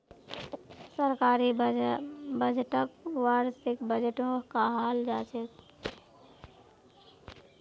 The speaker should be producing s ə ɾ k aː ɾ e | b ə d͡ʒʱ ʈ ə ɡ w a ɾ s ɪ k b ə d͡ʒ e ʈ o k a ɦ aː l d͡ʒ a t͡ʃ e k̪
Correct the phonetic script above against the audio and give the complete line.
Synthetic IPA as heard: s ə ɾ k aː ɾ i | b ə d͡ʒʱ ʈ ə k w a ɾ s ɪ k b ə d͡ʒ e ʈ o k a ɦ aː l d͡ʒ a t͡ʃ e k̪